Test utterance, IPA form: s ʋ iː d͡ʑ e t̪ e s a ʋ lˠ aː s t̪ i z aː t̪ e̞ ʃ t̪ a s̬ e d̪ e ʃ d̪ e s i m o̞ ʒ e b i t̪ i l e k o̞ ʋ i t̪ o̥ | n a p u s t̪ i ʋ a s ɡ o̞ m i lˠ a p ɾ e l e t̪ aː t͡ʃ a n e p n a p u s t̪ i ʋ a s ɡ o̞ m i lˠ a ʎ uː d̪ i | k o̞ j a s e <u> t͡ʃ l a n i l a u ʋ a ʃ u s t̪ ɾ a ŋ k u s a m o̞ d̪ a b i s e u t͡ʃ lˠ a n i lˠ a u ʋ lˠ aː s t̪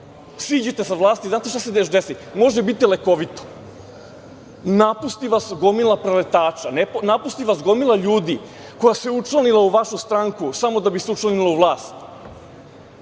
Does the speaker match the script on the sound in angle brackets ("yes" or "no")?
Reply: yes